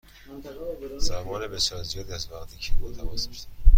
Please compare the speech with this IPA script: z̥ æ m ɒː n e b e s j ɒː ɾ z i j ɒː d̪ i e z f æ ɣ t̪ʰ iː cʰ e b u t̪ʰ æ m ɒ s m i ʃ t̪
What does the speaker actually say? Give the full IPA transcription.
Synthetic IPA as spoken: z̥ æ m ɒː n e b e s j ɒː ɾ z i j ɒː d̪ i æ z v æ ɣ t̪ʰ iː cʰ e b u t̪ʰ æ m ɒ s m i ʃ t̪